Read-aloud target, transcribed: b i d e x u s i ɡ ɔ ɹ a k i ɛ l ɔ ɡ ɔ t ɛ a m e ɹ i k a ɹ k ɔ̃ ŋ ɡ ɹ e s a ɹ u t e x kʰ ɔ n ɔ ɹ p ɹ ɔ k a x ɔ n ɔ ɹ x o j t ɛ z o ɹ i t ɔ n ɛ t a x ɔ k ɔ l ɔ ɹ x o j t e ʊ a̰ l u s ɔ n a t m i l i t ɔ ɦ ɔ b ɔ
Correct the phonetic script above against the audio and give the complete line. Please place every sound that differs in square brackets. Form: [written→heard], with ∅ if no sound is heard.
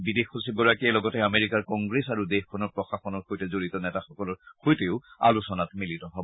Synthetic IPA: b i d e x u s i ɡ ɔ ɹ a k i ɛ l ɔ ɡ ɔ t ɛ a m e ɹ i k a ɹ k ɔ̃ ŋ ɡ ɹ e s a ɹ u [t→d] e x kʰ ɔ n ɔ ɹ p ɹ ɔ [k→x] a x ɔ n ɔ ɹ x o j t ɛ z o ɹ i t ɔ n ɛ t a x ɔ k ɔ l ɔ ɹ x o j t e ʊ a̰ l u s ɔ n a t m i l i t ɔ ɦ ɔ b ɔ